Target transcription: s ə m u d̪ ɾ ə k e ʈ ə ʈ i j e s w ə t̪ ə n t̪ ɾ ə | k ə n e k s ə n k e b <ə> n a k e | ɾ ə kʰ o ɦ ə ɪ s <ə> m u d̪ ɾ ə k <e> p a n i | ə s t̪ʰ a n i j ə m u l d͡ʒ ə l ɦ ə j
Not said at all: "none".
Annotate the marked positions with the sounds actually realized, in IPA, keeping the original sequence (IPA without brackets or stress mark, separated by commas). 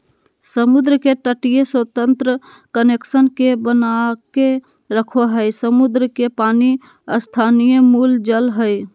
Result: ə, ə, e